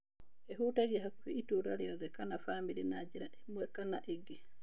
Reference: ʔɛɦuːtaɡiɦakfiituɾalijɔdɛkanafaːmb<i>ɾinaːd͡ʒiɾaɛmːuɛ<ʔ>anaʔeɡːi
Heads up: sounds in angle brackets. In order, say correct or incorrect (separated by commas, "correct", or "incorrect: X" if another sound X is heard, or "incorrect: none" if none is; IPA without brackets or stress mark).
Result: correct, incorrect: k